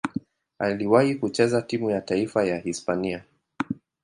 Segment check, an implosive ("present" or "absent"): absent